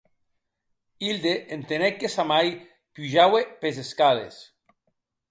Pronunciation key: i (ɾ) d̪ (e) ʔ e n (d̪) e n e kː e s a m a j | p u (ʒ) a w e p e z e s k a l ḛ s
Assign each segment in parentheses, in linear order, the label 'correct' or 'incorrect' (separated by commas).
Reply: incorrect, correct, incorrect, correct